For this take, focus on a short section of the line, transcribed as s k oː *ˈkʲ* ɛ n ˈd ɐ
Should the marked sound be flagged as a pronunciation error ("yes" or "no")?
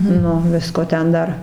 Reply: yes